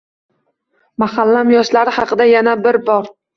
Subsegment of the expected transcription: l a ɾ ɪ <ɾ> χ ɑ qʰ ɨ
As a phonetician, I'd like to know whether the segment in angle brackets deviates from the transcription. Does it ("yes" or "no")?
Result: yes